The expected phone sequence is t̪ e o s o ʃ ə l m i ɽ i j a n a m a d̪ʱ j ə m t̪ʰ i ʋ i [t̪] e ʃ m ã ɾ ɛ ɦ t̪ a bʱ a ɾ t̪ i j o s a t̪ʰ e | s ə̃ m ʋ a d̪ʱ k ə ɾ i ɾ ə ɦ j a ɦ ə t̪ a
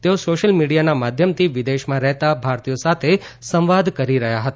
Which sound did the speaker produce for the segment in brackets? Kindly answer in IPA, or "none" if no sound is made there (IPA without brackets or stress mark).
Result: d̪